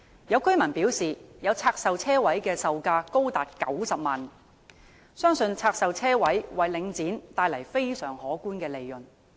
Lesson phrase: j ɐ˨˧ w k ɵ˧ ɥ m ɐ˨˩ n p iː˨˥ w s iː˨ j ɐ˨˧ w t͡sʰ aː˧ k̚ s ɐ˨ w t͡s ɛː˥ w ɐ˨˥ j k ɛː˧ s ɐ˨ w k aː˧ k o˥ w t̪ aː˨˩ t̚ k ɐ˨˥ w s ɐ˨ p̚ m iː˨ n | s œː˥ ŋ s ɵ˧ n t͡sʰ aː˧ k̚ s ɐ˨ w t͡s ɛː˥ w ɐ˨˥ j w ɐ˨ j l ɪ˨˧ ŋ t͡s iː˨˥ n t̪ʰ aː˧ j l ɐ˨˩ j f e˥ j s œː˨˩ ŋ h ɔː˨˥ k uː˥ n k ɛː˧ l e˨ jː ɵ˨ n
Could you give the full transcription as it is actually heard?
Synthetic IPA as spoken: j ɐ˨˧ w k ɵ˥ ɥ m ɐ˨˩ n p iː˨˥ w s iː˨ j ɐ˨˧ w t͡sʰ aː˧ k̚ s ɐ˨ w t͡sʰ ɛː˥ w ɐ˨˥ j k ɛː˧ s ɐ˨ w k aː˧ k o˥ w t̪ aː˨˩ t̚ k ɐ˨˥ w s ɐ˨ p̚ m aː˨ n | s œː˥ ŋ s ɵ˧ n t͡sʰ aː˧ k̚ s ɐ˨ w t͡sʰ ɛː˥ w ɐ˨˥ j w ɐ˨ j l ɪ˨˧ ŋ t͡s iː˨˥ n t̪ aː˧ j l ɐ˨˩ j f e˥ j s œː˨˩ ŋ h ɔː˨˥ k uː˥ n k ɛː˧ l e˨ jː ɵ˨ n